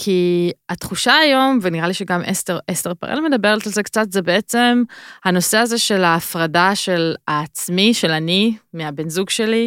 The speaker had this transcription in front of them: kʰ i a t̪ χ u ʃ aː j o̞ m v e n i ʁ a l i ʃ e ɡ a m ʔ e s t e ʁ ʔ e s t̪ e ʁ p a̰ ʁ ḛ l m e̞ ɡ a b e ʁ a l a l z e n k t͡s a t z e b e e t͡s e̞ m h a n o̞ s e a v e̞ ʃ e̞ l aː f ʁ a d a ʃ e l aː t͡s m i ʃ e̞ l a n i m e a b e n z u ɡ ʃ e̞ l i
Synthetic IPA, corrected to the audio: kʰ i a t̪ χ u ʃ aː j o̞ m v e n i ʁ a l i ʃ e ɡ a m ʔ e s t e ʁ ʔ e s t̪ e ʁ p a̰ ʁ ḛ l m e̞ d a b e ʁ a l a l z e k t͡s a t z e b e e t͡s e̞ m h a n o̞ s e a z e̞ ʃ e̞ l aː f ʁ a d a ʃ e l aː t͡s m i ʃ e̞ l a n i m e a b e n z u ɡ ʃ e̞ l i